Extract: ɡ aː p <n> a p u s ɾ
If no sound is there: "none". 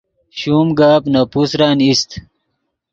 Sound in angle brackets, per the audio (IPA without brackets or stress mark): n